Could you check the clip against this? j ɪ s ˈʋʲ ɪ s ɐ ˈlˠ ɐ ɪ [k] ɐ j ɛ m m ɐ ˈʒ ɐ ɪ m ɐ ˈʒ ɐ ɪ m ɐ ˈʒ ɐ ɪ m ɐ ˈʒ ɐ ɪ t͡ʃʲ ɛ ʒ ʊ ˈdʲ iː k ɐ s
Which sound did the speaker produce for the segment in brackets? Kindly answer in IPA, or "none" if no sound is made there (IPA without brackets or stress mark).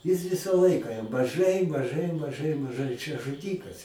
k